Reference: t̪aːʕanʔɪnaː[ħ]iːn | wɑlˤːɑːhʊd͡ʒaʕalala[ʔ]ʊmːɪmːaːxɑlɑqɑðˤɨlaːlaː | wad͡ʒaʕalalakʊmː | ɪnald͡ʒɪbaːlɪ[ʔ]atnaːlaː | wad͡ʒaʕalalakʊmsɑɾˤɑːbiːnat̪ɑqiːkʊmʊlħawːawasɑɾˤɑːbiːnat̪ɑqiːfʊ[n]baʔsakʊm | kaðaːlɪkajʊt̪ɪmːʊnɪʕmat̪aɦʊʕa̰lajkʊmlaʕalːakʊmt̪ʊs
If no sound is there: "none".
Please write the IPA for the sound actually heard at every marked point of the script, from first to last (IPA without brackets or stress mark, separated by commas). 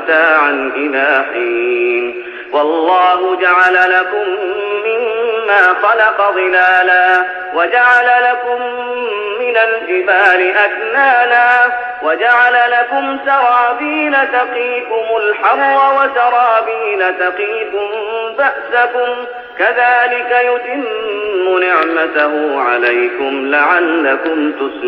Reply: ħ, k, ʔ, m